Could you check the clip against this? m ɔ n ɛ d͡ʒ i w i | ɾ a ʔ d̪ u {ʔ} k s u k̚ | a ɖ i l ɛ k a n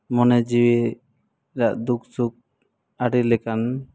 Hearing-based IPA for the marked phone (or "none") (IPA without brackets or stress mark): none